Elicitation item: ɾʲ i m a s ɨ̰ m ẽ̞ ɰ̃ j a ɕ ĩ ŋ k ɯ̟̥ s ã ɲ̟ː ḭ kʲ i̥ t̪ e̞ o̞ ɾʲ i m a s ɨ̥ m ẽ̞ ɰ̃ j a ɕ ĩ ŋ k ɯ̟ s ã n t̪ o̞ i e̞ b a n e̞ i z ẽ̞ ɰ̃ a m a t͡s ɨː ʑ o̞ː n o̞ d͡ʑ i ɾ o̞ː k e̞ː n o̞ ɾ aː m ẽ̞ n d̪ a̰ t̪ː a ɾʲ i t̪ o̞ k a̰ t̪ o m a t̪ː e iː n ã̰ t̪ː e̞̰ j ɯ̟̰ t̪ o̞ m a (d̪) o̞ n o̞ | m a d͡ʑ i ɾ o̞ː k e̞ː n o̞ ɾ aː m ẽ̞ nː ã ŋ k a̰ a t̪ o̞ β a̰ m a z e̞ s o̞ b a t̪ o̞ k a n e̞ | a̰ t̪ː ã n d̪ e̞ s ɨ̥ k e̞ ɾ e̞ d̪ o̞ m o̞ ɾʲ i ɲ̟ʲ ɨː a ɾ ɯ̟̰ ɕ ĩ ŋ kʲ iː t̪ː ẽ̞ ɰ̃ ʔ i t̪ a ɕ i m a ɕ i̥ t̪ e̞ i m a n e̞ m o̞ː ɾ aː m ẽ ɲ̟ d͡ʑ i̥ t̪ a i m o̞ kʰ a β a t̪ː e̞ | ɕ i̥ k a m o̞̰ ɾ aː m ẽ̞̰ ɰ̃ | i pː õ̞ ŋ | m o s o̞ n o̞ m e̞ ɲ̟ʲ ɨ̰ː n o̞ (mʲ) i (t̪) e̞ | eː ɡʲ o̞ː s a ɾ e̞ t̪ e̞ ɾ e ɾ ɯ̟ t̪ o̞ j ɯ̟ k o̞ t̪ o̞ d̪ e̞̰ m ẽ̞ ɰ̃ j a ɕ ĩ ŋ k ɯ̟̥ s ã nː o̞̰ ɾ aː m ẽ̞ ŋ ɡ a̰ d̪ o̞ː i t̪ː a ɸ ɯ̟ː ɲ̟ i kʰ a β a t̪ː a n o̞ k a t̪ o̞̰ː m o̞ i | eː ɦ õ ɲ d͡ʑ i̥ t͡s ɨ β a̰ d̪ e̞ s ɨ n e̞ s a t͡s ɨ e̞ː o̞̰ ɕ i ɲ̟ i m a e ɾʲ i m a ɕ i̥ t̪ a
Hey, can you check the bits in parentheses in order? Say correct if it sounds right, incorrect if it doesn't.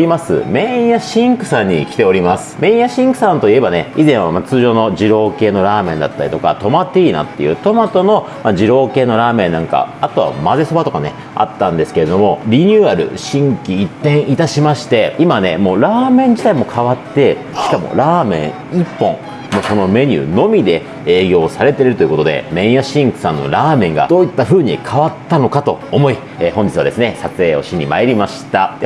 incorrect: t̪, correct, incorrect: d̪

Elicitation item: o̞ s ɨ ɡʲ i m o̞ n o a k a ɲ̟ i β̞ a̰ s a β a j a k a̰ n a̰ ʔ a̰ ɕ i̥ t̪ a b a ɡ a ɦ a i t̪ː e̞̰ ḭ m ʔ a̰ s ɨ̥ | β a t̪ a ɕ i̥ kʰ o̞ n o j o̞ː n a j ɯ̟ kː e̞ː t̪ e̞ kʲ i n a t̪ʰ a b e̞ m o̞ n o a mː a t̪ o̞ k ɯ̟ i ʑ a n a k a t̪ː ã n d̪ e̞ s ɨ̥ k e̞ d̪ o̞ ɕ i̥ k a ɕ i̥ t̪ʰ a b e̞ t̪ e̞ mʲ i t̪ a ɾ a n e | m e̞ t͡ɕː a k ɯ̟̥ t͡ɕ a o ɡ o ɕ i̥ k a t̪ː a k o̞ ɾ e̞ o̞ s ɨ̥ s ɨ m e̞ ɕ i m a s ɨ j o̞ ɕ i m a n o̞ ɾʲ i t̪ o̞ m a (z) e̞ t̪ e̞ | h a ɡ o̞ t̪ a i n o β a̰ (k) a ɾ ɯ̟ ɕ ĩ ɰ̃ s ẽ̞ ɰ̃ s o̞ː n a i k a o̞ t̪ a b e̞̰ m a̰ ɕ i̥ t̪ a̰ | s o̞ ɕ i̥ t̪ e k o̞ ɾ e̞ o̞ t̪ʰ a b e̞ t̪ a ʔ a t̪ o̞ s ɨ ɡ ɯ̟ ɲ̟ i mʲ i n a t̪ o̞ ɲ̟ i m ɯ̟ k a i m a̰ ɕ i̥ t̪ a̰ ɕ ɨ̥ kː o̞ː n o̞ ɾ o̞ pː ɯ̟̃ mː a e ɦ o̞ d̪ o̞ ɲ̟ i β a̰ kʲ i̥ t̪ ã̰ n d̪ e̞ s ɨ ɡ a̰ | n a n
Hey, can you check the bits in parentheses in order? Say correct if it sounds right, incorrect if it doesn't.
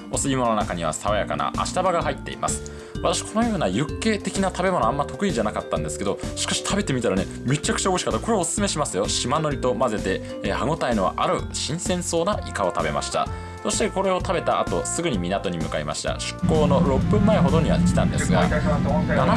correct, incorrect: ʔ

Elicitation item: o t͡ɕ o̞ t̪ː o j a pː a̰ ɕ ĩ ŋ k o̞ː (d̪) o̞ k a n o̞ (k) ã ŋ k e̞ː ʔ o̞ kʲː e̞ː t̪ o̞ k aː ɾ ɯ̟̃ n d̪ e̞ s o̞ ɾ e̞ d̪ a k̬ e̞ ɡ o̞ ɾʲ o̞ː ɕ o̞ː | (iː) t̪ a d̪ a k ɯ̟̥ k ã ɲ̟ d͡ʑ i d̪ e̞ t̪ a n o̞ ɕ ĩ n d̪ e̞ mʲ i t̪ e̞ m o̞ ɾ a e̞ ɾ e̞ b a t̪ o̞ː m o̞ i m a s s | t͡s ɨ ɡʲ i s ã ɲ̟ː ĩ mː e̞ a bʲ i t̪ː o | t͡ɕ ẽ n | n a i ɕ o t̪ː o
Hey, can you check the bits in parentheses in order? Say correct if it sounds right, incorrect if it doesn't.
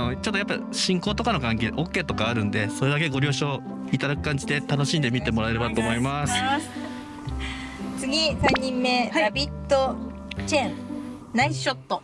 incorrect: t̪, correct, incorrect: i

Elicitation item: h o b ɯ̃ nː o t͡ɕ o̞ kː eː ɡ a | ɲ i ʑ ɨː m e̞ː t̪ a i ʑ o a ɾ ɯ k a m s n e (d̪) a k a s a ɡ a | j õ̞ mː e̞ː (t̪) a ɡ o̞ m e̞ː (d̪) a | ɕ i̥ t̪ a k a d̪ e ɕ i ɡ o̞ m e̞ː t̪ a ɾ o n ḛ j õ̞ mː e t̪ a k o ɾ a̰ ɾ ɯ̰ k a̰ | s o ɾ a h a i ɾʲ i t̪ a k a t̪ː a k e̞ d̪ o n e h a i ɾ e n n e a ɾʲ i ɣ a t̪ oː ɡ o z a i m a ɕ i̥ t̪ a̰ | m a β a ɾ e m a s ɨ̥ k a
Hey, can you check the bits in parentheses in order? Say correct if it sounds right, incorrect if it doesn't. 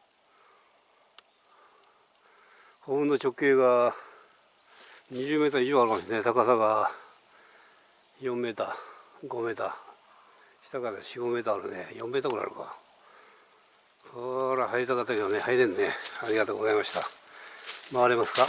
incorrect: t̪, correct, incorrect: t̪

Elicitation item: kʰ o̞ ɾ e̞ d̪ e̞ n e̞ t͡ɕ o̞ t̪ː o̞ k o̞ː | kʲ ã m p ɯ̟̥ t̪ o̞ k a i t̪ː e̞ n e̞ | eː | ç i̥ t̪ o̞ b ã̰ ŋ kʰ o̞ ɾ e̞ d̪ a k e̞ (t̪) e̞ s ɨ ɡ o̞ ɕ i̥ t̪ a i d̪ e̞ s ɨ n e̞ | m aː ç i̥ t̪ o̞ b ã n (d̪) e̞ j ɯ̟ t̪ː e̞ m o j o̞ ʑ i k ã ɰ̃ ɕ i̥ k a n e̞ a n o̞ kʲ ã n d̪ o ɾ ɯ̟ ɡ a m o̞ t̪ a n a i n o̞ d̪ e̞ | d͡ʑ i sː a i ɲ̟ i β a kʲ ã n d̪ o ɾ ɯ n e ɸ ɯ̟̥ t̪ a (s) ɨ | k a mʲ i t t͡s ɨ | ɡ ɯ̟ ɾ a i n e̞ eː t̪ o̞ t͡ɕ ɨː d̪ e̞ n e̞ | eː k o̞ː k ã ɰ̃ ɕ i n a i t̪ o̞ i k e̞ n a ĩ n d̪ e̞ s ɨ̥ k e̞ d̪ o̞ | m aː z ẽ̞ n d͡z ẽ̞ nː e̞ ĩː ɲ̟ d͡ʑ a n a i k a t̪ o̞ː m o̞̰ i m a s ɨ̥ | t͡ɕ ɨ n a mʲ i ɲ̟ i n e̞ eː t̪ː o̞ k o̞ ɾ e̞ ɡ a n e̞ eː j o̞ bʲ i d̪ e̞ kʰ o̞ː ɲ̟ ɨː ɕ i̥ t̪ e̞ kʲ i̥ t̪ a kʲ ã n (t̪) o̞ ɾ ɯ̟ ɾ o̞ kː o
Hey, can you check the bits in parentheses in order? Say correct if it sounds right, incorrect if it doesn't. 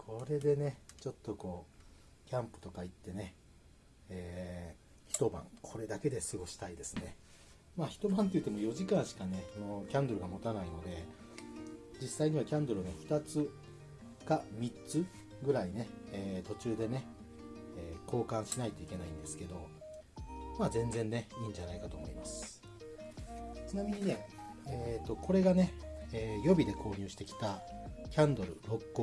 incorrect: d̪, incorrect: t̪, incorrect: t͡s, incorrect: d̪

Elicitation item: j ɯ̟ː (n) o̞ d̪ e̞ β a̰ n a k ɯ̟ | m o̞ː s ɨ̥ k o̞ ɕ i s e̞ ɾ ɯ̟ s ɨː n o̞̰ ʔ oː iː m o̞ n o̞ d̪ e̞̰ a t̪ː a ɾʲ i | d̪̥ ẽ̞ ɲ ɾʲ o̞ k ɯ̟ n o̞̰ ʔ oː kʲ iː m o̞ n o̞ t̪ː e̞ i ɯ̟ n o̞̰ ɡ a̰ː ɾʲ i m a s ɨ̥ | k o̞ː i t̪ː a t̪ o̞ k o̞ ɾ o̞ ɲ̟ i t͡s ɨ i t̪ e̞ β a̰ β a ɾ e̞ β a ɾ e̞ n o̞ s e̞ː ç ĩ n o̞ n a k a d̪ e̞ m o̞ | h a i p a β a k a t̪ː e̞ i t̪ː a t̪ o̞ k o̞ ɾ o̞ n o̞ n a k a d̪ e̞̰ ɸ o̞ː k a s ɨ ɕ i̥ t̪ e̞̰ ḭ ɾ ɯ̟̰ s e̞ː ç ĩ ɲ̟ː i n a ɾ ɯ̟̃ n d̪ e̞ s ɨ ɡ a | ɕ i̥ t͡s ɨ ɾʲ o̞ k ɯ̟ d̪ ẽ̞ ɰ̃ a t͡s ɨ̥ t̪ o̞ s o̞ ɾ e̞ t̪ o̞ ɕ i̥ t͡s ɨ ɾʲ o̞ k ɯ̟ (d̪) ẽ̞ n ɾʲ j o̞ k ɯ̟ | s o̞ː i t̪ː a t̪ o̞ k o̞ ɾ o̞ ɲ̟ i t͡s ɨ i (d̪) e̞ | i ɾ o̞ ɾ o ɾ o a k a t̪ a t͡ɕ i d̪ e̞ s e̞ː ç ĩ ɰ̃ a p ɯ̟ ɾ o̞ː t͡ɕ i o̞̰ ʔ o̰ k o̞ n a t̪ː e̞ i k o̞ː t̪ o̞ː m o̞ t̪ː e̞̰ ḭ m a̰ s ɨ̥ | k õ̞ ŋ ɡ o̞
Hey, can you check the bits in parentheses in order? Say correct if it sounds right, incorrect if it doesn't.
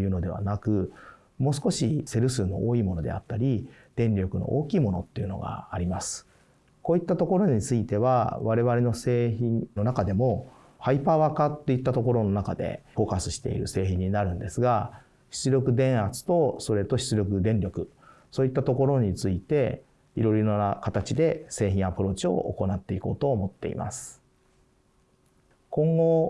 correct, correct, incorrect: t̪

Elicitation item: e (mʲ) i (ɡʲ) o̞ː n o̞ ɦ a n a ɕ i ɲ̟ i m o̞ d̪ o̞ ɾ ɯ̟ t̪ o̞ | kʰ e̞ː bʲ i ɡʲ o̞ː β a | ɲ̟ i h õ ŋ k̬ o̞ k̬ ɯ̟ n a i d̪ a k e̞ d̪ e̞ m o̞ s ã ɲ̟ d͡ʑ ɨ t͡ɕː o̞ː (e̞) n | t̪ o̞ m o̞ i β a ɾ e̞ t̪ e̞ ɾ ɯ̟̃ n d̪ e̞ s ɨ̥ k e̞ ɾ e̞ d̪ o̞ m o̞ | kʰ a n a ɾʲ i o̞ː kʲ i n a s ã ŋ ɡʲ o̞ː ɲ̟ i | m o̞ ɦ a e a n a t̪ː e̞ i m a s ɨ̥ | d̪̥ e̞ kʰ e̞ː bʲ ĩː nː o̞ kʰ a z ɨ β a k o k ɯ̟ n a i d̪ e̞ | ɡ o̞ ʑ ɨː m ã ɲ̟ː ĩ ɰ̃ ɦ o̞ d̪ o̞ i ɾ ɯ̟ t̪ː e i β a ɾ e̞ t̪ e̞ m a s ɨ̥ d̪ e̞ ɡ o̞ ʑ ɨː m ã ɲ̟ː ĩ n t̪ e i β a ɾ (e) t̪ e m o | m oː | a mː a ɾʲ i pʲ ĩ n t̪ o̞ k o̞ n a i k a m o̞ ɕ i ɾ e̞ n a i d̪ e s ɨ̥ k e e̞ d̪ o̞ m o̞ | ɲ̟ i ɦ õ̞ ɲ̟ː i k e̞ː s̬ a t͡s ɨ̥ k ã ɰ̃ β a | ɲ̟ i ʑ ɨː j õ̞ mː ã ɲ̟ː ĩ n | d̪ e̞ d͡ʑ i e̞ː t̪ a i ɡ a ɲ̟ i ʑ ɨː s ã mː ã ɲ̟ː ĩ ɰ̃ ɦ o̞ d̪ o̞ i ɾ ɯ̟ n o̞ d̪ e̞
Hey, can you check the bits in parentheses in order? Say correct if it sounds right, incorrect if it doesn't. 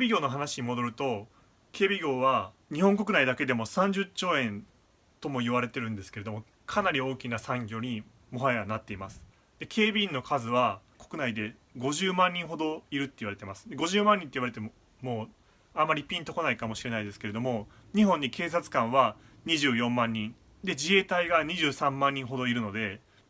incorrect: bʲ, correct, incorrect: ẽ̞, correct

